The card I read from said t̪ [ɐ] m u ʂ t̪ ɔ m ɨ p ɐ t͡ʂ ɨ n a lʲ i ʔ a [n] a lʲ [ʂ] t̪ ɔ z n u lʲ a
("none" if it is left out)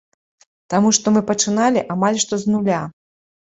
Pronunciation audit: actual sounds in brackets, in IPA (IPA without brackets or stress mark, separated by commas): a, m, ʂ